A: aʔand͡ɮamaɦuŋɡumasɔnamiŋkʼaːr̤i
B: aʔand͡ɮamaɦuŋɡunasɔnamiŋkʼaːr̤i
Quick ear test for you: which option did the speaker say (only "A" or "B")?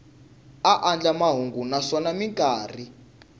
B